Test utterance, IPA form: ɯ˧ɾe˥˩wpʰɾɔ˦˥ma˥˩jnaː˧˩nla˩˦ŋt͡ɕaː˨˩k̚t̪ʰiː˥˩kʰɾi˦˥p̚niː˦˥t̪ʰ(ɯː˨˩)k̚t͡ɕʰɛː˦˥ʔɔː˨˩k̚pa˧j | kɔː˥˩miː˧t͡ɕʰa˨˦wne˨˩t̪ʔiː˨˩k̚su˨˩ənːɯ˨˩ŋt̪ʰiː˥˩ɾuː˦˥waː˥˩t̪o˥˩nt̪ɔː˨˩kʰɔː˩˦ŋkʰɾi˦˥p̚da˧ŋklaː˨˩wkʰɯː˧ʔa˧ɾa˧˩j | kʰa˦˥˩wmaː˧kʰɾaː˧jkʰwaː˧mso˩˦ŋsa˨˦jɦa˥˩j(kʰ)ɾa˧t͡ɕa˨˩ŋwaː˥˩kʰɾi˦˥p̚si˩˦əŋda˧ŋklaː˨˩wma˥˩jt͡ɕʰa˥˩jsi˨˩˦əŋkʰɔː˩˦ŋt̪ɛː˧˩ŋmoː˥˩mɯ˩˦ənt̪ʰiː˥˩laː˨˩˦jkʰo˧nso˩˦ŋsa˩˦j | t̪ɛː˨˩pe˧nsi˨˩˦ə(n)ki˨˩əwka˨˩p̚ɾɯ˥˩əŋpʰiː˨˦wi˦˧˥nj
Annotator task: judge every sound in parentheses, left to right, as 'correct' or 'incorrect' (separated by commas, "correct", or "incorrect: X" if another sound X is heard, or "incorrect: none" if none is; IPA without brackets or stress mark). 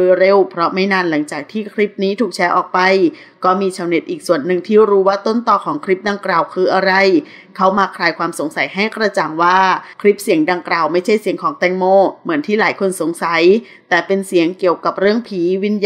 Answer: incorrect: uː˨˩, incorrect: k, incorrect: ŋ